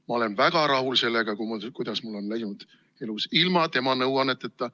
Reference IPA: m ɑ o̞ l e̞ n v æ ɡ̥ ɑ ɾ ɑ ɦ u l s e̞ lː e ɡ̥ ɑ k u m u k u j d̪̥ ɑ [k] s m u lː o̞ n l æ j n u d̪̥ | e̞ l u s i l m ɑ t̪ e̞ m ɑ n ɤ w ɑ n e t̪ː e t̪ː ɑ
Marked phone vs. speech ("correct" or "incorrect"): incorrect